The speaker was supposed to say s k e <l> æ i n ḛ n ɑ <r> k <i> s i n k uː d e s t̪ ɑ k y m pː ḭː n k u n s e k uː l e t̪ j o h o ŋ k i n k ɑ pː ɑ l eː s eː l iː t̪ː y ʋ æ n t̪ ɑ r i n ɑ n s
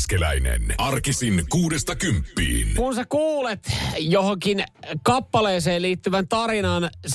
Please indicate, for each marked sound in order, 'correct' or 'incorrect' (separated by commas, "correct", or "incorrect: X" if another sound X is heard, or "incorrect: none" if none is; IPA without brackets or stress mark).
correct, correct, correct